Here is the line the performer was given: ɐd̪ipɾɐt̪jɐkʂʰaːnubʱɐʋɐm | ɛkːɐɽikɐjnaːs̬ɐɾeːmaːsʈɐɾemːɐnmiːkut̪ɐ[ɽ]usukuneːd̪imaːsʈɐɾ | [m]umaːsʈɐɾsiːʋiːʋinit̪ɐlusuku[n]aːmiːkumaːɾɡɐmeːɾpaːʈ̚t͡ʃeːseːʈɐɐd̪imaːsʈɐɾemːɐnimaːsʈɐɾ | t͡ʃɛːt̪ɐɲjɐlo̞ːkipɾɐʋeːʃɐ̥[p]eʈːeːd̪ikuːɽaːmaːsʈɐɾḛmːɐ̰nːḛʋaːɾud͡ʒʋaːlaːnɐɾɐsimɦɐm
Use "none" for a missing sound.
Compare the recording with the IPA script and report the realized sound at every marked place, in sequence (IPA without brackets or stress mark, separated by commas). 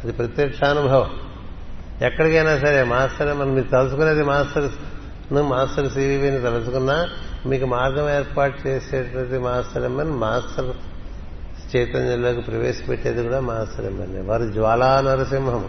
l, n, nː, p